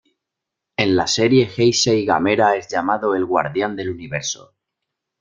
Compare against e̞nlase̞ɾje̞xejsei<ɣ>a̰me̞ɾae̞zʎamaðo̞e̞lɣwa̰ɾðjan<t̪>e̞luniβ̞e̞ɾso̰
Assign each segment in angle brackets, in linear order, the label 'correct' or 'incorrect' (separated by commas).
correct, incorrect